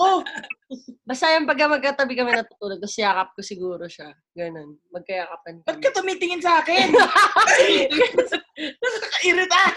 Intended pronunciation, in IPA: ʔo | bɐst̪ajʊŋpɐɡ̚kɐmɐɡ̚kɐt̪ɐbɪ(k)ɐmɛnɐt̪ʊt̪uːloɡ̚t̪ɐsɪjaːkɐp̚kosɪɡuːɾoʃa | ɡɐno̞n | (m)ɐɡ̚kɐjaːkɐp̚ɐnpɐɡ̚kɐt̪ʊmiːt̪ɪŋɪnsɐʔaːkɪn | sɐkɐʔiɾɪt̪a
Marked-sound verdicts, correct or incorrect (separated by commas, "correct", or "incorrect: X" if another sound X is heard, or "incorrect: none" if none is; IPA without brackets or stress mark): correct, correct